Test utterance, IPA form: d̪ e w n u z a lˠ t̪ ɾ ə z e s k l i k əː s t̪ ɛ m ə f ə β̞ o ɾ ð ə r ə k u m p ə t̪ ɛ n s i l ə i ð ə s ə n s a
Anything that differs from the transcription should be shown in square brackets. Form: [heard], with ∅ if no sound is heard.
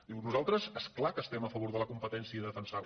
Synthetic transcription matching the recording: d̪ [i] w n u z a lˠ t̪ ɾ ə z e s k l [a] k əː s t̪ ɛ m ə f ə β̞ o ɾ ð ə [l] ə k u m p ə t̪ ɛ n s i [∅] ə i ð ə [f] ə n s a